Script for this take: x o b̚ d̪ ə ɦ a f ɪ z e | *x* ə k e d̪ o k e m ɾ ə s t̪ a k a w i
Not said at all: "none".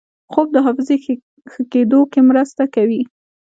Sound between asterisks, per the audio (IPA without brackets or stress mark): x